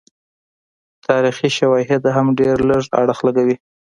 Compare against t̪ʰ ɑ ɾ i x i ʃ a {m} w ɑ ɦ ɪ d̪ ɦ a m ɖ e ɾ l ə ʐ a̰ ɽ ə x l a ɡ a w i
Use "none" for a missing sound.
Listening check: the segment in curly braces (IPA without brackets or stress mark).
none